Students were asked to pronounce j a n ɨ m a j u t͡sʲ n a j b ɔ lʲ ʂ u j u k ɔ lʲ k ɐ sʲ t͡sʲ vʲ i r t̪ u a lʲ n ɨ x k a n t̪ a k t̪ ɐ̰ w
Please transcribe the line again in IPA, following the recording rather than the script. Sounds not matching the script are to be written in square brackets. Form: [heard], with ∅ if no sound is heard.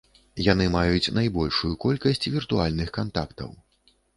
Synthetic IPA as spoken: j a n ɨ m a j u t͡sʲ n a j b ɔ lʲ ʂ u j u k ɔ lʲ k ɐ sʲ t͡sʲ vʲ i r t̪ u a lʲ n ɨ x k a n t̪ a k t̪ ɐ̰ w